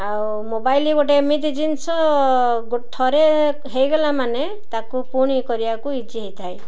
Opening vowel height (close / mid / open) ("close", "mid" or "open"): open